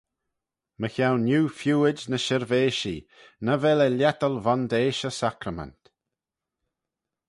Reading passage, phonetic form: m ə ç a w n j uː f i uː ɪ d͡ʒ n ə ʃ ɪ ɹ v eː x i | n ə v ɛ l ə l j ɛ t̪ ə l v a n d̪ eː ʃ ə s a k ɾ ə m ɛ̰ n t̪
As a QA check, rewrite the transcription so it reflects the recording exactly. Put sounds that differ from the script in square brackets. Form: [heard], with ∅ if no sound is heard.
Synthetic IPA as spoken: m ə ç a w n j uː f [j] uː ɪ d͡ʒ n ə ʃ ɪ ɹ v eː [ʃ] i | n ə v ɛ l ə l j ɛ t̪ ə l v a n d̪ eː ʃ ə s a k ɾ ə m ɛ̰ n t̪